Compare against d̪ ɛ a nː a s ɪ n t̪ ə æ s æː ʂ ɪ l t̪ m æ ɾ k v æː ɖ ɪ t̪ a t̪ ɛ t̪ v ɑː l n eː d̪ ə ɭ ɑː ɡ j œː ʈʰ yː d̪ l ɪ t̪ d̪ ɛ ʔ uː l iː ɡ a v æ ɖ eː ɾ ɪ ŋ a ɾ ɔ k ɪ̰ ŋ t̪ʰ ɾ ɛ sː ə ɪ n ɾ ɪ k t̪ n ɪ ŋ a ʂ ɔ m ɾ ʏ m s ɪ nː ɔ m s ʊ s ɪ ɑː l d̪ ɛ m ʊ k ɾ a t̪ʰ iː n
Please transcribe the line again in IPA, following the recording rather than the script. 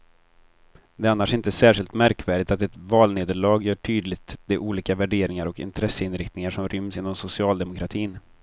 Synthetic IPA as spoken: d̪ ɛ a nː a ʂ ɪ n t̪ ə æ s æː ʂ ɪ l t̪ m æ ɾ k v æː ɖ ɪ t̪ a t̪ ɛ t̪ v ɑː l n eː d̪ ə ɭ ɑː ɡ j œː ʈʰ yː d̪ l ɪ t̪ d̪ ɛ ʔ uː l iː k a v æ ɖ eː ɾ ɪ ŋ a ɾ ɔ k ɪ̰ n t̪ʰ ɾ ɛ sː ə ɪ n ɾ ɪ k t̪ n ɪ ŋ a ʂ ɔ m ɾ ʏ m s ɪ nː ɔ m s ʊ s ɪ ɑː l d̪ ɛ m ʊ k ɾ a t̪ʰ iː n